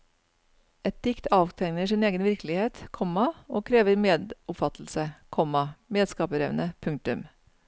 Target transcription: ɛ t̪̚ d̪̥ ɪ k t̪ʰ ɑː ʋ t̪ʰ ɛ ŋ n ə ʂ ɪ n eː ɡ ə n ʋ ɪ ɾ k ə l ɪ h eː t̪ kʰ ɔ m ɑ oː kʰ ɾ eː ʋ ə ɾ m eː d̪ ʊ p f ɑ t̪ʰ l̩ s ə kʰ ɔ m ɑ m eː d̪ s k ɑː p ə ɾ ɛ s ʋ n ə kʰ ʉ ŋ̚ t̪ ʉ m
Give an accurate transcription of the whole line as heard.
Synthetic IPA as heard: ɛ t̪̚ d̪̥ ɪ k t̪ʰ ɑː ʋ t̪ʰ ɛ ŋ n ə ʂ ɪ n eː ɡ ə n ʋ ɪ ɾ k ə l ɪ h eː t̪ kʰ ɔ m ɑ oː kʰ ɾ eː ʋ ə ɾ m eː d̪ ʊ p f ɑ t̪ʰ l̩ s ə kʰ ɔ m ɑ m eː d̪ s k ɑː p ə ɾ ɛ ʋ n ə pʰ ʉ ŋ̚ t̪ ʉ m